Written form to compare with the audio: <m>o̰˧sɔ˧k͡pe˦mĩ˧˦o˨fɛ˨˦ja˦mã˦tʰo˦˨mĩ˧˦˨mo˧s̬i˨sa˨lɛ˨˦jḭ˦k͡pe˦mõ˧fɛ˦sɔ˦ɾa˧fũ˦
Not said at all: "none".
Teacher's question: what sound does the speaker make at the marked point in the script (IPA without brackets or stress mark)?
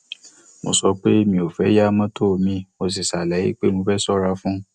m